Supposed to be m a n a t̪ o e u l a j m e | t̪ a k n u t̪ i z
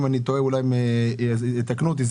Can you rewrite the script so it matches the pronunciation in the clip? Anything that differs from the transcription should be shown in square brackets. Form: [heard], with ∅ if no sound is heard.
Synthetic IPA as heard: m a n [i] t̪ o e u l a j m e | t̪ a k n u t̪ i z